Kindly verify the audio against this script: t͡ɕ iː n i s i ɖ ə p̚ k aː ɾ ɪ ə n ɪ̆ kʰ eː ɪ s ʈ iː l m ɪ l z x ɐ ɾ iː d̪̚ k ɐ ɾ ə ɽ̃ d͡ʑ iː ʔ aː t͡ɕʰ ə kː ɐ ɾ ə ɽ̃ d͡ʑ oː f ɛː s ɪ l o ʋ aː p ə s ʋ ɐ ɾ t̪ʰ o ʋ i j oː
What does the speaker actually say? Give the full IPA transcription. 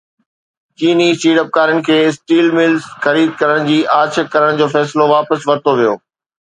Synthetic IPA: t͡ɕ iː n i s iː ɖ ə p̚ k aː ɾ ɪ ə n ɪ̆ kʰ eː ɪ s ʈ iː l m ɪ l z x ɐ ɾ iː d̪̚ k ɐ ɾ ə ɽ̃ d͡ʑ iː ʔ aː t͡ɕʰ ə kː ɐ ɾ ə ɽ̃ d͡ʑ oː f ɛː s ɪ l o ʋ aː p ə s ʋ ɐ ɾ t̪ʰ o ʋ i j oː